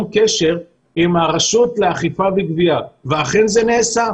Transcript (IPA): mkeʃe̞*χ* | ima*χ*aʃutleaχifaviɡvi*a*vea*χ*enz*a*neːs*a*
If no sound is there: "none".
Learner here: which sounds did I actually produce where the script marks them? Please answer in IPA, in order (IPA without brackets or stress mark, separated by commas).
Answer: ʁ, ʁ, a, χ, e, a